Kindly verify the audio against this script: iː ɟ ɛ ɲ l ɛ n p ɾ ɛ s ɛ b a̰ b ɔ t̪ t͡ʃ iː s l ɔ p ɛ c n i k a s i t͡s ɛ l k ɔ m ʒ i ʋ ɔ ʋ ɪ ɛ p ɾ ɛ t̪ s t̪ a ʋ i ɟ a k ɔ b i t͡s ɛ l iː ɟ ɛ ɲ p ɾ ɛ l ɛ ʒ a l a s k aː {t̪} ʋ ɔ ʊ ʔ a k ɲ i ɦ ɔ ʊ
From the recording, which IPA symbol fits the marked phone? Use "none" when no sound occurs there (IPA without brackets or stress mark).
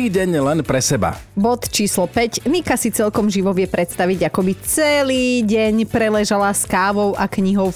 none